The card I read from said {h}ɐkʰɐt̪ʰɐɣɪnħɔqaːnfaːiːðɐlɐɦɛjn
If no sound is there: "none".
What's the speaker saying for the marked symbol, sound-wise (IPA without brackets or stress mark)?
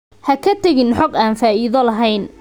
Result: h